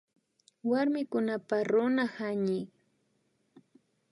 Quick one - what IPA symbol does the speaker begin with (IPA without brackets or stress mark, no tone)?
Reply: w